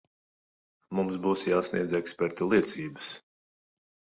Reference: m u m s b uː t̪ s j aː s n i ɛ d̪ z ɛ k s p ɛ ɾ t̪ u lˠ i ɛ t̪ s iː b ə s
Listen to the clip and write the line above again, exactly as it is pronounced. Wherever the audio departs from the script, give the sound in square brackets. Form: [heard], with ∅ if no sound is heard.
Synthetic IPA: m u m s b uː [∅] s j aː s n i ɛ d̪ z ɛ k s p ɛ ɾ t̪ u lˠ i ɛ t̪ s iː b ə s